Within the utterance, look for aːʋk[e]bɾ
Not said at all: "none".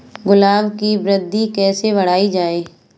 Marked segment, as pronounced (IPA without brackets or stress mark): i